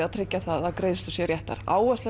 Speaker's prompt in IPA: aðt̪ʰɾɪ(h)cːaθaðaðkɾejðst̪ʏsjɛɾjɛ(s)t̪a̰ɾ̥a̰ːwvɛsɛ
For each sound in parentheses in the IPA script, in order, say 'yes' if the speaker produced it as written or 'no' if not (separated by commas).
no, no